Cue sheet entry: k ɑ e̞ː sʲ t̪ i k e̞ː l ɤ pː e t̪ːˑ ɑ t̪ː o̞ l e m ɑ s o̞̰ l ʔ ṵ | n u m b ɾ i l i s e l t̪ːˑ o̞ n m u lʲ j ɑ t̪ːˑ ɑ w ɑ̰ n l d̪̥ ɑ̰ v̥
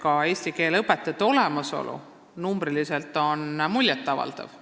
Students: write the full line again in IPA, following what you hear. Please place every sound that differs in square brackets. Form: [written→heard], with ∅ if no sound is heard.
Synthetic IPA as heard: k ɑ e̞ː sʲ t̪ i k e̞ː l ɤ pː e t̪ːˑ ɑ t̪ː o̞ l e m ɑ s o̞̰ l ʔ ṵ | n u m b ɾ i l i s e l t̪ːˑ o̞ n m u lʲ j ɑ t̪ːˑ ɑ [w→v] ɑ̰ [n→∅] l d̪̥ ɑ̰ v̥